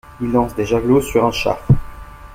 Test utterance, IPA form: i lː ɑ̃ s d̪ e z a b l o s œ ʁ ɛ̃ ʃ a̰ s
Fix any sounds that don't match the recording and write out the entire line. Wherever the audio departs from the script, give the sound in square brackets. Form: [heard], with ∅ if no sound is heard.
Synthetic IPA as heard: i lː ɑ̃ s d̪ e [ʒ] a [ɡ] l o s [y] ʁ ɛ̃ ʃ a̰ [f]